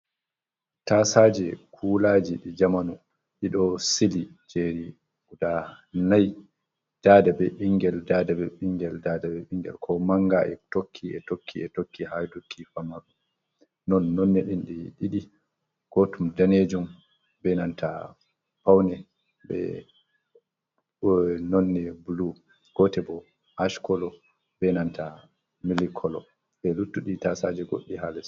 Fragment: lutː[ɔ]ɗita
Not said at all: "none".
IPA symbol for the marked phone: u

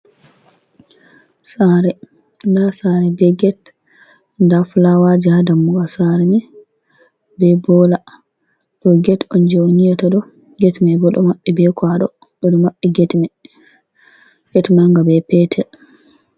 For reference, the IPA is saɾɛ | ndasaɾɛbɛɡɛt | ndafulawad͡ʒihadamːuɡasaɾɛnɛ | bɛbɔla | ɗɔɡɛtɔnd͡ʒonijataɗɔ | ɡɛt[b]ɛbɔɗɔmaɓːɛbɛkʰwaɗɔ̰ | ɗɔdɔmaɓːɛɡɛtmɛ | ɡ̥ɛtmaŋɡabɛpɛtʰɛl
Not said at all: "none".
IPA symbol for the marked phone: m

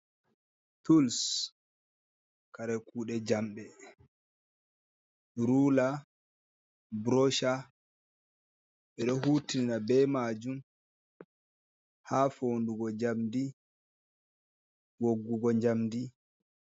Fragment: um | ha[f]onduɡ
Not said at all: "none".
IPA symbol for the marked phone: f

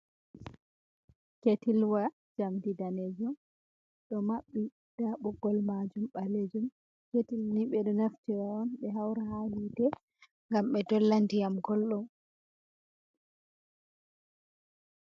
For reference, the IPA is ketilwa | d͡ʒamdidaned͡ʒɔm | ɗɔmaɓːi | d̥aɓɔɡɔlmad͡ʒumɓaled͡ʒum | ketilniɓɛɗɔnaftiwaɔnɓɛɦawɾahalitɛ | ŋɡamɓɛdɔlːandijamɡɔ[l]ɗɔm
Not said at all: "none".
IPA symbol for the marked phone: l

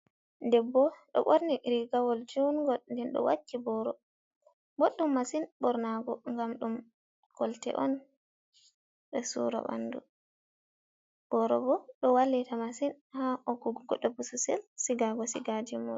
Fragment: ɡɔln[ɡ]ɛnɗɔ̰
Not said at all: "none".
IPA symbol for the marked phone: d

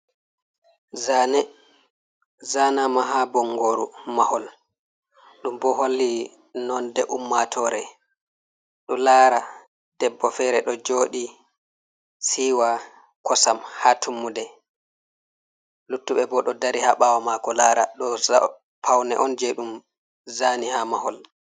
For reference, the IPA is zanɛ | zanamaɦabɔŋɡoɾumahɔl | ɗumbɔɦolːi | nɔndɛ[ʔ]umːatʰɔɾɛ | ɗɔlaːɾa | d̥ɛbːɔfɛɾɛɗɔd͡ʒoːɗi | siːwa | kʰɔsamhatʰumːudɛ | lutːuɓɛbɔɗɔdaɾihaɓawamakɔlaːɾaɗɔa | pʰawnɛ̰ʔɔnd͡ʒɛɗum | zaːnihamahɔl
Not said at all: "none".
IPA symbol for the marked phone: ʔ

